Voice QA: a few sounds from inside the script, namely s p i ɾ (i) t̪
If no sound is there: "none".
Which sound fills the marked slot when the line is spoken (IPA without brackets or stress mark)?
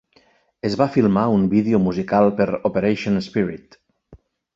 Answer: i